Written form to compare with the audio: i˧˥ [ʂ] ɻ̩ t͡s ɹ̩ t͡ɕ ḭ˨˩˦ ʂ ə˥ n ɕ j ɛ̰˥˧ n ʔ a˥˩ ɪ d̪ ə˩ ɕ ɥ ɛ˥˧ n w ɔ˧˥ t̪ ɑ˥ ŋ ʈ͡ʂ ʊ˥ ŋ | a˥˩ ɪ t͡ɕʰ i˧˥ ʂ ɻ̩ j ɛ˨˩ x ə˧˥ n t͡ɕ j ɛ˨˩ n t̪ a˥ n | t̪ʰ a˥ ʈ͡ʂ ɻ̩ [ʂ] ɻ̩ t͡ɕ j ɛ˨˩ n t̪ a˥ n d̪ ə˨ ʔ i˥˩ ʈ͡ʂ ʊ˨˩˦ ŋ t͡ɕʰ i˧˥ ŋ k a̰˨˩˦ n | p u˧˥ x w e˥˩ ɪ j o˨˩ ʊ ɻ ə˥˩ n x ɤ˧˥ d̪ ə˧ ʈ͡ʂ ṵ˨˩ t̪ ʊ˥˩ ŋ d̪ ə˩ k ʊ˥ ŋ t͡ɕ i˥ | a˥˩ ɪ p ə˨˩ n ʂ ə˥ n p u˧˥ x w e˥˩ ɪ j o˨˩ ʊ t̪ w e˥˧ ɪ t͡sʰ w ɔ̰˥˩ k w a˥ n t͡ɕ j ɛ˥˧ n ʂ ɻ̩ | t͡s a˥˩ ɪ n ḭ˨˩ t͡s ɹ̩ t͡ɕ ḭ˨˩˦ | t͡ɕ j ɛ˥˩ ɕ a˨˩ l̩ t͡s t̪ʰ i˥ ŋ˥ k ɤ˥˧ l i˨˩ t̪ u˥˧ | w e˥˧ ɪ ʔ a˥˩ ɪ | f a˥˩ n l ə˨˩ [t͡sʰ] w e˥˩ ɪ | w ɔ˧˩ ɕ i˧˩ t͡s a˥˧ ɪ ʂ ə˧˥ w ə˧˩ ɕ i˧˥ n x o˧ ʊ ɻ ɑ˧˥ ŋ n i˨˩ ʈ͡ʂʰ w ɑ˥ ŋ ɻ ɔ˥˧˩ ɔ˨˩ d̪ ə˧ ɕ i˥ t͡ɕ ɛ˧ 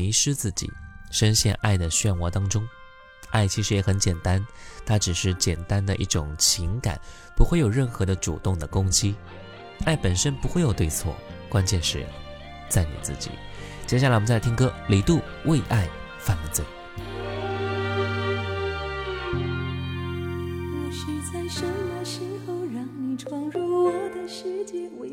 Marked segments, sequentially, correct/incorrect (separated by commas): correct, correct, incorrect